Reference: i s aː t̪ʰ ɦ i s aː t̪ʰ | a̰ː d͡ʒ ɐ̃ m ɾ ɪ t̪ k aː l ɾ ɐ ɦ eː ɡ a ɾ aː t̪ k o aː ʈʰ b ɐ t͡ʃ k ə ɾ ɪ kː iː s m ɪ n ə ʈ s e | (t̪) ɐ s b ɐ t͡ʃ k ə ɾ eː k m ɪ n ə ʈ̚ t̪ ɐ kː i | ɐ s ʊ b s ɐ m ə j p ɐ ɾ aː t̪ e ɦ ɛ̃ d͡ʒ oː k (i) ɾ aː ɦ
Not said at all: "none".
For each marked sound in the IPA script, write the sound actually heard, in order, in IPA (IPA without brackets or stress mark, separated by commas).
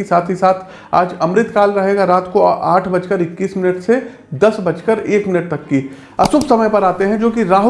d̪, i